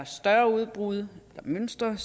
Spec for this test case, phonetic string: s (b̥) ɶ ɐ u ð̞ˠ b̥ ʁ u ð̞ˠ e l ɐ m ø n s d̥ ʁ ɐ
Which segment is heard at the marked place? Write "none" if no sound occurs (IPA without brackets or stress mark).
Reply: d̥